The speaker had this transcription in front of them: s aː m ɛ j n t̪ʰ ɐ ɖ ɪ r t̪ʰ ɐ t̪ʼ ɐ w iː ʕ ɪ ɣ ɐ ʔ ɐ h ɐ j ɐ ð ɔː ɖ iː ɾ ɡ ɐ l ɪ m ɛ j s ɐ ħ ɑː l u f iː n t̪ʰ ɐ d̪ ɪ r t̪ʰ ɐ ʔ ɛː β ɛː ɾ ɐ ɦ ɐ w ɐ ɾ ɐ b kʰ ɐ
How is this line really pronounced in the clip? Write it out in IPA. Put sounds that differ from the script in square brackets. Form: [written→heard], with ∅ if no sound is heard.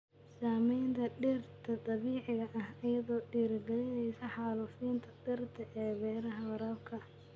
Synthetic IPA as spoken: s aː m ɛ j n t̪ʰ ɐ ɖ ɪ r t̪ʰ ɐ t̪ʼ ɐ [w→β] iː ʕ ɪ ɣ ɐ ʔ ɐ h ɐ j ɐ ð ɔː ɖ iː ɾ ɡ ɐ l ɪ [m→n] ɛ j s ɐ ħ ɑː l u f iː n t̪ʰ ɐ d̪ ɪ r t̪ʰ ɐ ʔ ɛː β ɛː ɾ ɐ ɦ ɐ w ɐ ɾ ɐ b kʰ ɐ